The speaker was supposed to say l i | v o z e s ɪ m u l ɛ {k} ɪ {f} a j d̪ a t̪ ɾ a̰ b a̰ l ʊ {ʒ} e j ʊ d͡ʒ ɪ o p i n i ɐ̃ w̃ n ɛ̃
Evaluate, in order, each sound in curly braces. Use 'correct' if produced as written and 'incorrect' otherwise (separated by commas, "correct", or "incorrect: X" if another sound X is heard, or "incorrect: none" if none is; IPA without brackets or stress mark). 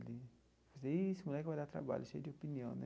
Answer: correct, incorrect: v, incorrect: ʃ